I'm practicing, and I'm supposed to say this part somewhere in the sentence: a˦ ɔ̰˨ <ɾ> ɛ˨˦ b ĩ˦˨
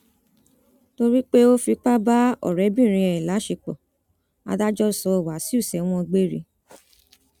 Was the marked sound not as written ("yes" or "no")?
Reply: no